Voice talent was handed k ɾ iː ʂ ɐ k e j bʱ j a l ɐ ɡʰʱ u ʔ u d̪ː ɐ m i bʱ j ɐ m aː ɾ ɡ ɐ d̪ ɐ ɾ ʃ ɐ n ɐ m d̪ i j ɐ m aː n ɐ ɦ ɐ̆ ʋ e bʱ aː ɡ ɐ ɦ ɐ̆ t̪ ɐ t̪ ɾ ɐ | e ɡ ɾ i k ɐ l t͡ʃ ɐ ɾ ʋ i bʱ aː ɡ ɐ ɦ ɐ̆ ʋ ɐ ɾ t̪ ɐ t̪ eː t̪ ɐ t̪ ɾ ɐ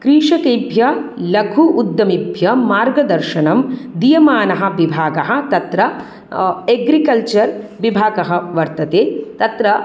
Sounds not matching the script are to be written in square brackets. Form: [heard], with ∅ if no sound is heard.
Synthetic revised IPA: k ɾ iː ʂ ɐ k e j bʱ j [ɐ] l ɐ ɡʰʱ u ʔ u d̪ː ɐ m i bʱ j ɐ m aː ɾ ɡ ɐ d̪ ɐ ɾ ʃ ɐ n ɐ m d̪ i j ɐ m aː n ɐ ɦ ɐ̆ ʋ [i] bʱ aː ɡ ɐ ɦ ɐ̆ t̪ ɐ t̪ ɾ ɐ | e ɡ ɾ i k ɐ l t͡ʃ ɐ ɾ ʋ i bʱ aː ɡ ɐ ɦ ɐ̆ ʋ ɐ ɾ t̪ ɐ t̪ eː t̪ ɐ t̪ ɾ ɐ